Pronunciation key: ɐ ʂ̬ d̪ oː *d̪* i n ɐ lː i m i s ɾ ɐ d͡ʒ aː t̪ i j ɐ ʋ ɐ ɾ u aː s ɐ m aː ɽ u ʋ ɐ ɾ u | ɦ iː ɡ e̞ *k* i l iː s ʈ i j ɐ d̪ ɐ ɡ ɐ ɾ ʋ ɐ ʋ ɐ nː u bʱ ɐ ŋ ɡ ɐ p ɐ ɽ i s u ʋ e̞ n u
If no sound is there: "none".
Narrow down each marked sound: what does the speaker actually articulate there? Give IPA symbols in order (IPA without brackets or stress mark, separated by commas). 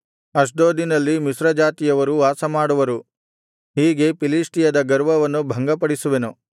d̪, p